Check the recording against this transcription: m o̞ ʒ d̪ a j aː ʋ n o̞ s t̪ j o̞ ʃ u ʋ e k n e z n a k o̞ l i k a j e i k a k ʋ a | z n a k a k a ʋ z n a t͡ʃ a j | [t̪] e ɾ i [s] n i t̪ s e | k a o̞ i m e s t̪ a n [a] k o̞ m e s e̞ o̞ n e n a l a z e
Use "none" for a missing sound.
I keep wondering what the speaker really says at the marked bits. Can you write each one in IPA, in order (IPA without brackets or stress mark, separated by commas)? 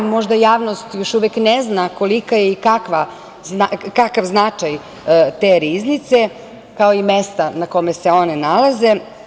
t̪, z, a